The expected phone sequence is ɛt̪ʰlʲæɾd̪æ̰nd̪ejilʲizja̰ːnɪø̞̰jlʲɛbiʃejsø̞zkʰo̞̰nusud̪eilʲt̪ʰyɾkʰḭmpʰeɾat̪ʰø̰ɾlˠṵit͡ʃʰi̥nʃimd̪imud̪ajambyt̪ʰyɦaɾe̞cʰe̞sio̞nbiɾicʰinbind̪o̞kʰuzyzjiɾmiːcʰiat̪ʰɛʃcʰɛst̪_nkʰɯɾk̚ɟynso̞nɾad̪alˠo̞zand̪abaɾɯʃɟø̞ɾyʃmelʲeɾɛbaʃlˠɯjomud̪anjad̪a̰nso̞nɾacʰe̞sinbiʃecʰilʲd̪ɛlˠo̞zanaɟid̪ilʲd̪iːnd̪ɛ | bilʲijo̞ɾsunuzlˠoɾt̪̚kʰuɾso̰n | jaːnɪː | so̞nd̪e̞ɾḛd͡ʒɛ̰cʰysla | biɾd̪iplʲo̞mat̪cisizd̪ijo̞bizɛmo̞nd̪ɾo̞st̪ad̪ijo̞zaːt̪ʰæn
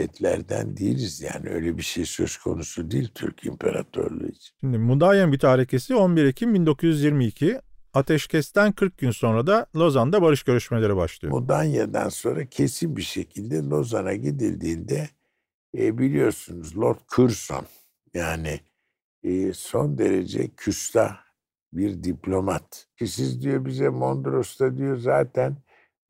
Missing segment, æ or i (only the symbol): æ